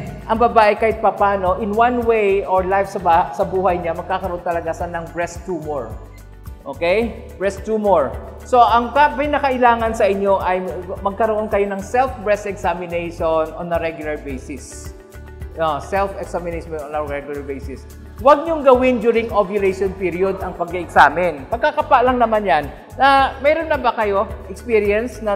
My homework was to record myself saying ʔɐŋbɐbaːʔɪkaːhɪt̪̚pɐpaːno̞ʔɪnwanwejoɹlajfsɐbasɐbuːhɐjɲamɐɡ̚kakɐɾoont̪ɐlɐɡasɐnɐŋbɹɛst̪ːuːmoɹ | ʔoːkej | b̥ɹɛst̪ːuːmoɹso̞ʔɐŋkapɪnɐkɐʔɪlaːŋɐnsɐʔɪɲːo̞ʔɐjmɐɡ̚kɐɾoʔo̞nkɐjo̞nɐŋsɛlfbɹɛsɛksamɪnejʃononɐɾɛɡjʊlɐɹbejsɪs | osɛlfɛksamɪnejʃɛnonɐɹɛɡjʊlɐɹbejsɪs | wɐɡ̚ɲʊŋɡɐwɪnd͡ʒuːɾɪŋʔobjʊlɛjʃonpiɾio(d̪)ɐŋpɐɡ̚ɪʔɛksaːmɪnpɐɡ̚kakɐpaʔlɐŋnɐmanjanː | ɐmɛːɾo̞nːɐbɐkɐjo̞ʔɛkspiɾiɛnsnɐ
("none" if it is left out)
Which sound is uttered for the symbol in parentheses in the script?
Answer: d̪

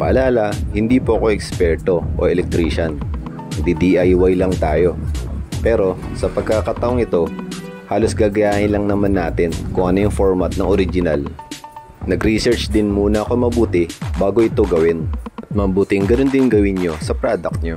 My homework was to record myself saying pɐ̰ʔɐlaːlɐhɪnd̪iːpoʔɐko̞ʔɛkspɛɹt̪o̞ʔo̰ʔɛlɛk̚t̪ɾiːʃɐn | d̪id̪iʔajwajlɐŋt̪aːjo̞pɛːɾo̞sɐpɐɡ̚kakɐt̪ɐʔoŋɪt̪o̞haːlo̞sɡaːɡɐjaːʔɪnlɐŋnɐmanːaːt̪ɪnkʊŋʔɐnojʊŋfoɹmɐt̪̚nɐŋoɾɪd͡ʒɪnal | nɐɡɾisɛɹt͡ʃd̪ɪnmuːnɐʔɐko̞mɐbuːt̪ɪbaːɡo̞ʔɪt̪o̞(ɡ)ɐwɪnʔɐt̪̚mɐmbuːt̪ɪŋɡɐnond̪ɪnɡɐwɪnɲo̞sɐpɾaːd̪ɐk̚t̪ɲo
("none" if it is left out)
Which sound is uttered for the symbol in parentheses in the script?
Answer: ɡ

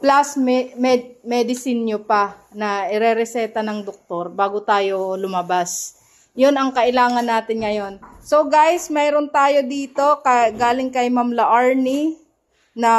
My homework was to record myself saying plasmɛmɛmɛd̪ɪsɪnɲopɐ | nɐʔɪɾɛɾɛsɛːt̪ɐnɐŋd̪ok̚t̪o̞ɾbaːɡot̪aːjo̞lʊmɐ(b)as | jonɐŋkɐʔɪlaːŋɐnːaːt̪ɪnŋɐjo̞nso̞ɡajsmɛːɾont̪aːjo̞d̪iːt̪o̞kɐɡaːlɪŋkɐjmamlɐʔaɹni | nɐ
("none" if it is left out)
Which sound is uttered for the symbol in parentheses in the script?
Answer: b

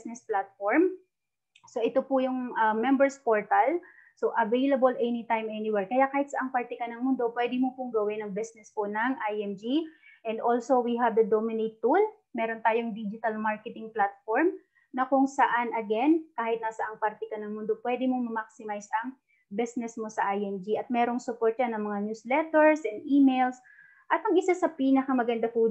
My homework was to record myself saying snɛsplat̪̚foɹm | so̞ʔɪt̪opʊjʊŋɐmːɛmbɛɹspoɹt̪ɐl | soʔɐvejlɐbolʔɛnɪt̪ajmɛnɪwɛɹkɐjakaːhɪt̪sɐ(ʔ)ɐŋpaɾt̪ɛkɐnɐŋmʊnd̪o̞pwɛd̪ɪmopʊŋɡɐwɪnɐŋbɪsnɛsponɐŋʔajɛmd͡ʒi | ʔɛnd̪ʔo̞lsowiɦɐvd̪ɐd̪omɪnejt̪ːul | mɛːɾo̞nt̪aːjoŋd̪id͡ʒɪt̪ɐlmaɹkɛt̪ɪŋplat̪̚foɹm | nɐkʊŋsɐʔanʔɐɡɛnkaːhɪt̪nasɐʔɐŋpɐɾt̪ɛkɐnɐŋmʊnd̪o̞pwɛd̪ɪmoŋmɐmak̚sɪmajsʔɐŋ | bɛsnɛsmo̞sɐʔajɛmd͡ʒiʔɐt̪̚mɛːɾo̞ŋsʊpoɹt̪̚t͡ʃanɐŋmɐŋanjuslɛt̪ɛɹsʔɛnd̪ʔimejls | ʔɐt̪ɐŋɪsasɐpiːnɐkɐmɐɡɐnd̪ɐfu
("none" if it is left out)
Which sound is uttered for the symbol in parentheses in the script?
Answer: ʔ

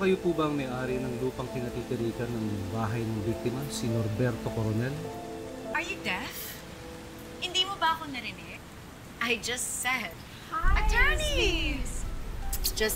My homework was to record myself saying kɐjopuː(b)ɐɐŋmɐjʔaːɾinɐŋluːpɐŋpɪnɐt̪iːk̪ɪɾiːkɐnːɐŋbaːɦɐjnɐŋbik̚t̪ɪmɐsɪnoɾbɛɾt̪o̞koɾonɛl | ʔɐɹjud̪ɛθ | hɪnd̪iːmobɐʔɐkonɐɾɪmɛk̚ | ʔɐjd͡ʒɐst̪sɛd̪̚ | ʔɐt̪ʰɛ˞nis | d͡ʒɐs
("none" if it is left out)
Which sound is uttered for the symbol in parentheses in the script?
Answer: b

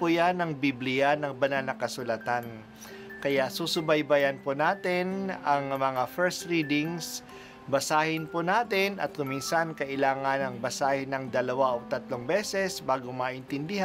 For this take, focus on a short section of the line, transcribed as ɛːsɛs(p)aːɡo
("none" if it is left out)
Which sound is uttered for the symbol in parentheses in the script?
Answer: b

